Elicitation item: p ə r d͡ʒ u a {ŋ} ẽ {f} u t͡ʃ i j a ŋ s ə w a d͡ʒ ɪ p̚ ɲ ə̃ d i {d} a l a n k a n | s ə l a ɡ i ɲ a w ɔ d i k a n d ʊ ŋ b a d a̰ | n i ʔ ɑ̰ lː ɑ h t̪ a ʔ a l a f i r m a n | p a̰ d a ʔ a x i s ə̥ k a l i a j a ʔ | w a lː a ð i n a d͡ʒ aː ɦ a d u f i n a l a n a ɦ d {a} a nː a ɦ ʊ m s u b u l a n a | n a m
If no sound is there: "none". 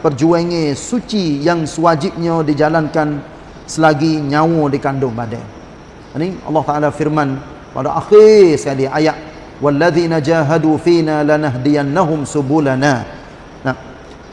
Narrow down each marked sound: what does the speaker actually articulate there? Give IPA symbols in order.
ŋ, s, d͡ʒ, i

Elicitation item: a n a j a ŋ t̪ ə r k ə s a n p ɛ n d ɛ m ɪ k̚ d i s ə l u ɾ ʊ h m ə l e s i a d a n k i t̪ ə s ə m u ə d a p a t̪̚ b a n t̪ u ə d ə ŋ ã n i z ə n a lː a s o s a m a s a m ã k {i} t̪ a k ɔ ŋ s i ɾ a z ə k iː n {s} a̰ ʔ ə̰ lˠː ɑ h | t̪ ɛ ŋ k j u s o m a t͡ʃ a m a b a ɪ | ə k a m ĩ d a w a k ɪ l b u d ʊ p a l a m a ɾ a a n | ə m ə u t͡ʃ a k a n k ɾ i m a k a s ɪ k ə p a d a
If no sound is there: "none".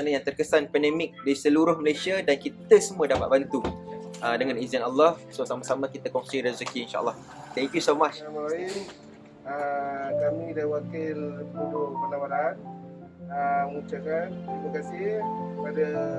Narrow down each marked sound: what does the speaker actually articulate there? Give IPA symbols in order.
i, ʃ

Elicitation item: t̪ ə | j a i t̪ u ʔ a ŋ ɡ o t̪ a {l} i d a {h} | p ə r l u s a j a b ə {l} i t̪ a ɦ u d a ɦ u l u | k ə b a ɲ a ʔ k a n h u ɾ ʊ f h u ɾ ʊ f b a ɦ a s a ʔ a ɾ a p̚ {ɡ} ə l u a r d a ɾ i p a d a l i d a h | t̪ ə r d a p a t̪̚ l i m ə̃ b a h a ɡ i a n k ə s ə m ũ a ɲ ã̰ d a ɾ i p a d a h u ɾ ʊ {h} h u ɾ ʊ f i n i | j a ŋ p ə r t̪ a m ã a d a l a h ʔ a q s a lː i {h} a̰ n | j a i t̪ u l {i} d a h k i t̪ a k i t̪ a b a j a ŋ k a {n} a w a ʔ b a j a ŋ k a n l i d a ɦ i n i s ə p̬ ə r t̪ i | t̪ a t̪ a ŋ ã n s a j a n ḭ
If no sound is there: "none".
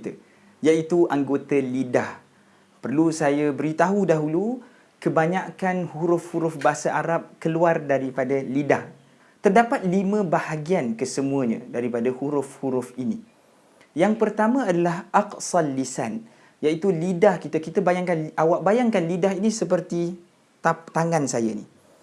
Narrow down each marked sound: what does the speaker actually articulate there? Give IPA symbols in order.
l, h, ɾ, k, f, s, i, n

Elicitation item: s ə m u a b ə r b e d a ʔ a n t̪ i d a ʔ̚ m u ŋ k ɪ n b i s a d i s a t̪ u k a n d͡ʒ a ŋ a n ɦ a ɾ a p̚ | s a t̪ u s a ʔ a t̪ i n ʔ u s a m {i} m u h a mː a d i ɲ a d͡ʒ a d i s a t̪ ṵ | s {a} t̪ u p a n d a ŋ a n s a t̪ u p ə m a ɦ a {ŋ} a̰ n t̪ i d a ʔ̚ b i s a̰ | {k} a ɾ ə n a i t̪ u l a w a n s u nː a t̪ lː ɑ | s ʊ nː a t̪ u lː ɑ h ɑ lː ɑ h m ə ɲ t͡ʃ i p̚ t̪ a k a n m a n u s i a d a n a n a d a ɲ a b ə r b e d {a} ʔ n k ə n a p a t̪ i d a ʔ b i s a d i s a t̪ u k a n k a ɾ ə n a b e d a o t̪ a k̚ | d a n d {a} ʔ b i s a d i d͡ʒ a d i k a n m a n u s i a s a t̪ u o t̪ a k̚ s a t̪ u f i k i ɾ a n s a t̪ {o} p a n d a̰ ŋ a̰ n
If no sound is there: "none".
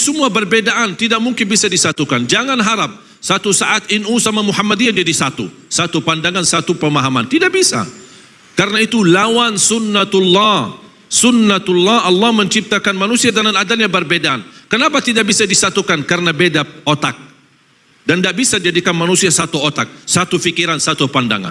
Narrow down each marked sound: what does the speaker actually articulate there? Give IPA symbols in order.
a, a, m, k, a, a, u

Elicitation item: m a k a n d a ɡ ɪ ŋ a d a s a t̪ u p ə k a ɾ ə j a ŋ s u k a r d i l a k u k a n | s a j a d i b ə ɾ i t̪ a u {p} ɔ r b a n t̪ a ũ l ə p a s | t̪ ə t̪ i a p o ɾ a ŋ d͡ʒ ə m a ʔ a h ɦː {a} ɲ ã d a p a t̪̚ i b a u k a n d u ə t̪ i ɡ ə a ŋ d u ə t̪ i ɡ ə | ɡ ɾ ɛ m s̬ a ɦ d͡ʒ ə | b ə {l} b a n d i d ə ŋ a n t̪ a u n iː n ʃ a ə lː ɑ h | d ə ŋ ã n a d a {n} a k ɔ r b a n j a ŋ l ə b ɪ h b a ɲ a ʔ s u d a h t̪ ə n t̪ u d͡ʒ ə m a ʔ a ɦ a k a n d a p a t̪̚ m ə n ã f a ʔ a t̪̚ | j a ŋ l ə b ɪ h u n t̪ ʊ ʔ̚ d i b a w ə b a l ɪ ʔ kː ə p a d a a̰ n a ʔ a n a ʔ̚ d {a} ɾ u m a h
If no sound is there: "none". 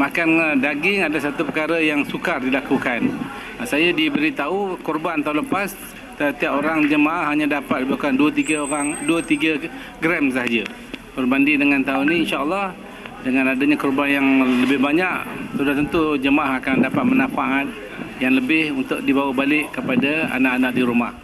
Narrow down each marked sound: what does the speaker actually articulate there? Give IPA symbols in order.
k, a, r, ɲ, i

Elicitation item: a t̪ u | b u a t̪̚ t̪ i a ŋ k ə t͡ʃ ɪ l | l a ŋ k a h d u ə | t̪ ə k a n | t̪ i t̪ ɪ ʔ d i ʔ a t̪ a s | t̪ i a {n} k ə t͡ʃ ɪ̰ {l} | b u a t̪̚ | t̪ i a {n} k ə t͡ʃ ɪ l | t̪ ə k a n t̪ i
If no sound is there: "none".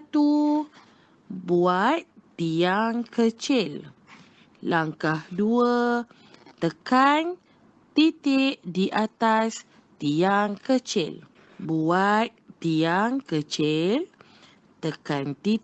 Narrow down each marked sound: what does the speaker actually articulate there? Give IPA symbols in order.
ŋ, l, ŋ

